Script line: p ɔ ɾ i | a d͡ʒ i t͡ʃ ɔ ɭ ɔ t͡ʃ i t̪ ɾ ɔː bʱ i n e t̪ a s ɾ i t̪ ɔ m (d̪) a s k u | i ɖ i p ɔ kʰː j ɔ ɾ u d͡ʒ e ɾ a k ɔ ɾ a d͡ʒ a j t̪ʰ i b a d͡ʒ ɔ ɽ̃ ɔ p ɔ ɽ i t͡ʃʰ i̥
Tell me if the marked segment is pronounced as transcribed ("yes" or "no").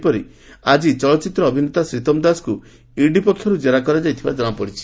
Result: yes